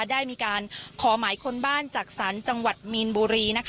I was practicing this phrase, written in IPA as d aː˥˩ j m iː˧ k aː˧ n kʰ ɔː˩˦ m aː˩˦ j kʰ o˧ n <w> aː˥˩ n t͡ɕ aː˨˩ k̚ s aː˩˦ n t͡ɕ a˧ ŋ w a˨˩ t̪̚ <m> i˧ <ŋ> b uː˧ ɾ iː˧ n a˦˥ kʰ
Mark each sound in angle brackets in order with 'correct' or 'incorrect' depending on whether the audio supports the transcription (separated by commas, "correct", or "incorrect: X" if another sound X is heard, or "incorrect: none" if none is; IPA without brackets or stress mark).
incorrect: b, correct, incorrect: n